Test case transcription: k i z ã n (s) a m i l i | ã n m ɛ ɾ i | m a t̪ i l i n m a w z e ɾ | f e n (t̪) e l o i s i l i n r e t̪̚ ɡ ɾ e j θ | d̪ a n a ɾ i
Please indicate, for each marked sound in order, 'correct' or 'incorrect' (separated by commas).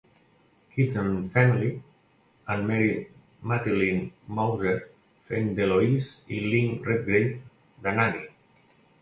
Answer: incorrect, incorrect